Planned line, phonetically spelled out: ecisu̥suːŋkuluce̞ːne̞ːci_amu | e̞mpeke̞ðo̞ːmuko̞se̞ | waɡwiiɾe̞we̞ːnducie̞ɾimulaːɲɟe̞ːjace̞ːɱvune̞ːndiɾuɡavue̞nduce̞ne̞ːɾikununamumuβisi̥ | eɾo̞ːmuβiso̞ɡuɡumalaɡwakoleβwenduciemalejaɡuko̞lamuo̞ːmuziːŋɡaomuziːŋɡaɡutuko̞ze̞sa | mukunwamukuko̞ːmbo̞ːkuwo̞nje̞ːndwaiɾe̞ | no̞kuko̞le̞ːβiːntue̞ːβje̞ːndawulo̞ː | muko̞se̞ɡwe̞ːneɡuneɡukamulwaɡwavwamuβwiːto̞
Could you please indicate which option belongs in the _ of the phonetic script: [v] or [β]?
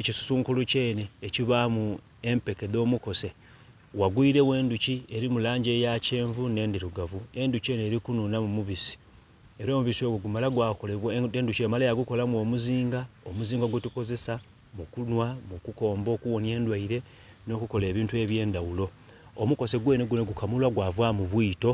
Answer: β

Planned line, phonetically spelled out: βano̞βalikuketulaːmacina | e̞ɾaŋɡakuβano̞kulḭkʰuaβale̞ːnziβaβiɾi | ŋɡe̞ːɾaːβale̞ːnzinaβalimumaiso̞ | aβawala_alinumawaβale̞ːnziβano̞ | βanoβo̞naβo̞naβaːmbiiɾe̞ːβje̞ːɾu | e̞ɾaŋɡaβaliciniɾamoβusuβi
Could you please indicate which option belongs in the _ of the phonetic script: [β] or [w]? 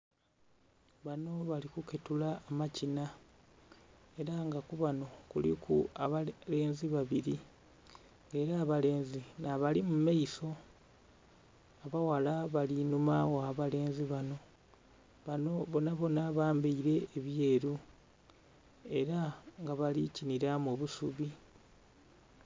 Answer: β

